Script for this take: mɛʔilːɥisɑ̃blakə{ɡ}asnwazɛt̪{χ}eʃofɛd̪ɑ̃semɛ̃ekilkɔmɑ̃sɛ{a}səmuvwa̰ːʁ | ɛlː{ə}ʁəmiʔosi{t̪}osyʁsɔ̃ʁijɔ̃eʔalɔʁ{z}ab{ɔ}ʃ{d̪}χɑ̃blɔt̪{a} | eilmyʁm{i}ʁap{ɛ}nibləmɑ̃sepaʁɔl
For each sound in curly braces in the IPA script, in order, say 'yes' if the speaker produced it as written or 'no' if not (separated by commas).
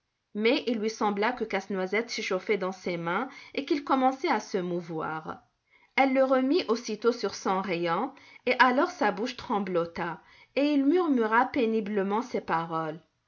no, no, yes, yes, yes, no, no, no, yes, no, no